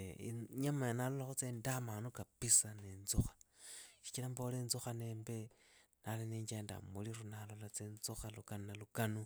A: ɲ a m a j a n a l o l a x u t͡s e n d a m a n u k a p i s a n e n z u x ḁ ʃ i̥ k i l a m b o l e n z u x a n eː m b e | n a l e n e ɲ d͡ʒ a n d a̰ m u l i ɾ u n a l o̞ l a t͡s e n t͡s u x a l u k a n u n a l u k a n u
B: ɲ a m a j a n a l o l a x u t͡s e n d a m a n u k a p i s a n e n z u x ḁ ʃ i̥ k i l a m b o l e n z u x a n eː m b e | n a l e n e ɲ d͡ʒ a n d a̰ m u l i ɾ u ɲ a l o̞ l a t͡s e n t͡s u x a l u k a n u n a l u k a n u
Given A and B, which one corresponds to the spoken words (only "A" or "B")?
A